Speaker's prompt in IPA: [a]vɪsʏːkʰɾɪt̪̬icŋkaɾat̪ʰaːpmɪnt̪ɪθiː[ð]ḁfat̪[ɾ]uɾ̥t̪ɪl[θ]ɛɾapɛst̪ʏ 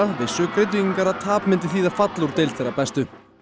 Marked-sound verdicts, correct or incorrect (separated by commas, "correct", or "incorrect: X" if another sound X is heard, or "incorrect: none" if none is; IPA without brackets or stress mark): correct, correct, incorrect: l, correct